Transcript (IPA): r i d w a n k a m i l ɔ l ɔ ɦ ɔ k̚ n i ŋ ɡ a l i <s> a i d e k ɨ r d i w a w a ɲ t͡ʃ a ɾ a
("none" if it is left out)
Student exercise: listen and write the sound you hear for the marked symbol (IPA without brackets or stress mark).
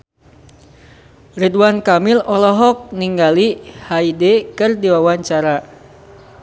h